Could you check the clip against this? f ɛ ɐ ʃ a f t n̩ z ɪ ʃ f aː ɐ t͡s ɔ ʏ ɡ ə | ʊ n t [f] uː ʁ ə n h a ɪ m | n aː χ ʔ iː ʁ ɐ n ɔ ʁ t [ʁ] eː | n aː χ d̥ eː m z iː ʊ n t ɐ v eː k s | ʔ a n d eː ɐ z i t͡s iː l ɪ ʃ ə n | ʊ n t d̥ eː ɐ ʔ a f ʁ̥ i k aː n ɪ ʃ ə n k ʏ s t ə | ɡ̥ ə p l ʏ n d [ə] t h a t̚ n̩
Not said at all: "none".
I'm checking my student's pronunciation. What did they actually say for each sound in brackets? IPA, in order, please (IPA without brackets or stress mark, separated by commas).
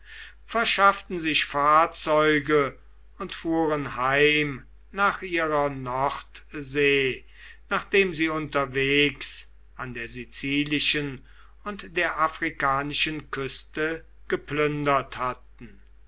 f, z, ɐ